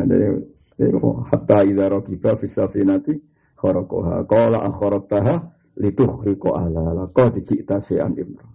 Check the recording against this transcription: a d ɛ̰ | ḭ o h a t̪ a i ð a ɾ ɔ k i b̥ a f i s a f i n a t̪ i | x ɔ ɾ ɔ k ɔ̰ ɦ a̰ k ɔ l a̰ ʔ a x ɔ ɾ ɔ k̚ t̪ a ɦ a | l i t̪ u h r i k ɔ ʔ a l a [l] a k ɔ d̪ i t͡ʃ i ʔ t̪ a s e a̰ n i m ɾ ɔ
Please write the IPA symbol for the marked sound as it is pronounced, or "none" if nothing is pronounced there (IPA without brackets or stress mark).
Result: l